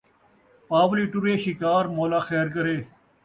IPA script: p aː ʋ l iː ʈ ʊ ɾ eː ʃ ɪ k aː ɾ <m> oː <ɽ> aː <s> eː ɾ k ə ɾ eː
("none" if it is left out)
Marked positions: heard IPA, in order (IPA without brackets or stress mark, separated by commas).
m, l, x